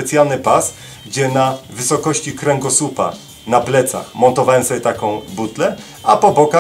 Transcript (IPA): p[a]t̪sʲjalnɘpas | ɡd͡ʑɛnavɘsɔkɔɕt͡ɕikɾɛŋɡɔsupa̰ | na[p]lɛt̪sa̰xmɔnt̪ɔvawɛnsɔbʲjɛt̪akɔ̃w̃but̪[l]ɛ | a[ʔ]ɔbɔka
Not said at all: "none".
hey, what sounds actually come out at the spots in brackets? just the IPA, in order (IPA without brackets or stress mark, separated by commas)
ɛ, p, l, p